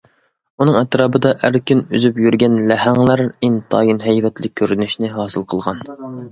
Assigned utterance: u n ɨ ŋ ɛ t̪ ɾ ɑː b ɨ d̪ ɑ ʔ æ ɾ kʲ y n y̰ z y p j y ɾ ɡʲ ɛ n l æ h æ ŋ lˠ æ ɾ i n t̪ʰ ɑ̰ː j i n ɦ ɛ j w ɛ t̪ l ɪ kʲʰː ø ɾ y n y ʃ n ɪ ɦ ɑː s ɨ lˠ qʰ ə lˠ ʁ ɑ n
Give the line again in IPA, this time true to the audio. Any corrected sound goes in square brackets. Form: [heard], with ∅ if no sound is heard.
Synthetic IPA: u n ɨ ŋ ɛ t̪ ɾ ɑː b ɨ d̪ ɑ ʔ æ ɾ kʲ y n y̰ z y p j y ɾ ɡʲ ɛ n l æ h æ ŋ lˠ æ ɾ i n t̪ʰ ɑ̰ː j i n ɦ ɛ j [v] ɛ t̪ l ɪ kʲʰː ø ɾ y n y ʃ n ɪ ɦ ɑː s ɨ lˠ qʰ ə lˠ ʁ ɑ n